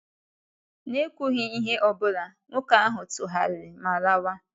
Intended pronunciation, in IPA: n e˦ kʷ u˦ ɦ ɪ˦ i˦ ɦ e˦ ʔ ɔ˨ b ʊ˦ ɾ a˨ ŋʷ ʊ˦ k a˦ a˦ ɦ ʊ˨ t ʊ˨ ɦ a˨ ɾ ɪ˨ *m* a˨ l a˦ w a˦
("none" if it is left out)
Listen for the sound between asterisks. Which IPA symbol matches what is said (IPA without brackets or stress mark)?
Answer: m